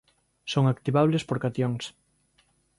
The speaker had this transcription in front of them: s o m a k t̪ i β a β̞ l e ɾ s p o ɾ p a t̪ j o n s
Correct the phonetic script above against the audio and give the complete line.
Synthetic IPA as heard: s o ŋ a k t̪ i β a β̞ l e s p o ɾ k a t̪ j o ŋ s